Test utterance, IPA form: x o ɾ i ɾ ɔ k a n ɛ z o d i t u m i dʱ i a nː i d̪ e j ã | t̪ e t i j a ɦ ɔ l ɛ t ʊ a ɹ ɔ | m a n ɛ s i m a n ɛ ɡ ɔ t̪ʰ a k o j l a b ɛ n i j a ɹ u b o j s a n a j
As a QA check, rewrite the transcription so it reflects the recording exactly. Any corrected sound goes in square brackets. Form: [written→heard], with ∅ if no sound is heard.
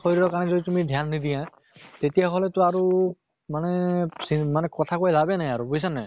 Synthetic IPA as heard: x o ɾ i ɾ ɔ k a n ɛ z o d i t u m i dʱ [i→j] a nː i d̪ [e→i] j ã | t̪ e t i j a ɦ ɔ l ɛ t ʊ a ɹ [ɔ→u] | m a n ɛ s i m a n ɛ [ɡ→k] ɔ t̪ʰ a k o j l a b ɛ n [i→a] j a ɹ u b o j s a n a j